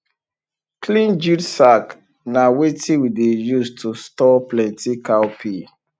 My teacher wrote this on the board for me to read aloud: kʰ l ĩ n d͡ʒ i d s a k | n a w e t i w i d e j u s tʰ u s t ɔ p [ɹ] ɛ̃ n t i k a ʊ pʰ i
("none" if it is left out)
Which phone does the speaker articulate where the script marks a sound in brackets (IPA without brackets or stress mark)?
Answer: l